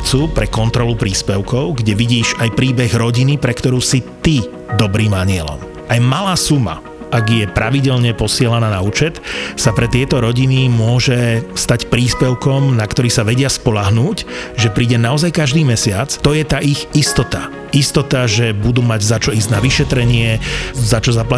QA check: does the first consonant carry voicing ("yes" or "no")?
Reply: no